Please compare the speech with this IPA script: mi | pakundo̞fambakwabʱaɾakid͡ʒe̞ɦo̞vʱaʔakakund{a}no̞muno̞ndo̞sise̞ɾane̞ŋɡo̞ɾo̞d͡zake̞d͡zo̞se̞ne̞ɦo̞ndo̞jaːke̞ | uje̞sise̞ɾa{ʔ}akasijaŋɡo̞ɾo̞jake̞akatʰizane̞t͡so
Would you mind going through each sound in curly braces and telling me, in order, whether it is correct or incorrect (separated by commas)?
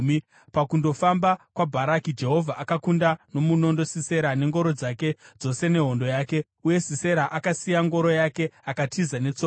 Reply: correct, correct